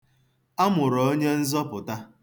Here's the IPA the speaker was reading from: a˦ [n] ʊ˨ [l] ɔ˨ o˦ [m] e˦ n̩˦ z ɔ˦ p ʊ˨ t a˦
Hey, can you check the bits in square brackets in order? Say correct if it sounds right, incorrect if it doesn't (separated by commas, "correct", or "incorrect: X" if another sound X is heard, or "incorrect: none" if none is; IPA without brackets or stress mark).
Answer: incorrect: m, incorrect: ɾ, incorrect: ɲ